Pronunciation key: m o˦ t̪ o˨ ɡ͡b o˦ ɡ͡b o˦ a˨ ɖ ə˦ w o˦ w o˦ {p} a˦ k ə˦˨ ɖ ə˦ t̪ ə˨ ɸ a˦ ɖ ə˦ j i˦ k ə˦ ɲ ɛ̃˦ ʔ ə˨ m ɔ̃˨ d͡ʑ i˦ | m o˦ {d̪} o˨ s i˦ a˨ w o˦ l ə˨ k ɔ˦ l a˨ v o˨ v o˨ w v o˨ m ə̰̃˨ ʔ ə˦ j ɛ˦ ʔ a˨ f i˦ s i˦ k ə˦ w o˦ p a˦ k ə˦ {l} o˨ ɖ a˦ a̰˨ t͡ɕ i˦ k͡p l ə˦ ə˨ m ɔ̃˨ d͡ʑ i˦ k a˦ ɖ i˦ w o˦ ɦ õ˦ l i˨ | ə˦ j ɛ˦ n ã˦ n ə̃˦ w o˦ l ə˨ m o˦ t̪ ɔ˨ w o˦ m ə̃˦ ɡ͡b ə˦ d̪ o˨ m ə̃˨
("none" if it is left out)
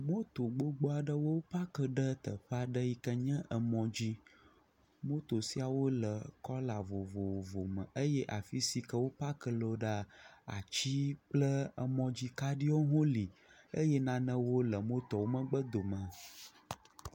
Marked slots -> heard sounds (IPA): p, t̪, l

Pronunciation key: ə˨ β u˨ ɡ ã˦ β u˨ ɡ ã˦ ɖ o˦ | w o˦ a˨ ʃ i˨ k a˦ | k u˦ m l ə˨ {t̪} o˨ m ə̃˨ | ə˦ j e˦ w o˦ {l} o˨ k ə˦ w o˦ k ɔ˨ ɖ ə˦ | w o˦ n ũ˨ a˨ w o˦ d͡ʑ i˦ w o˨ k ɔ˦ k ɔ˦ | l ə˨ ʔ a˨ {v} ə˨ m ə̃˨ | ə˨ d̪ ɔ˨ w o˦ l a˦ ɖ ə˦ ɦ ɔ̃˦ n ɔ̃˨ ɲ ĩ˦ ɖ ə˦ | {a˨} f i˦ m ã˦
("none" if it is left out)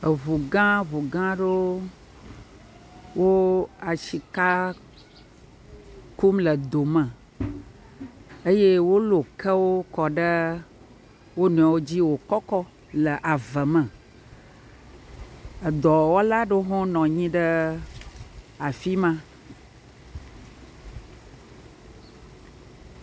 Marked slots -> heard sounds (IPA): d̪, l, v, a˨

